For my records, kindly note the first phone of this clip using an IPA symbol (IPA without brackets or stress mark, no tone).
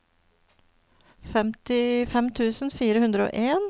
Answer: f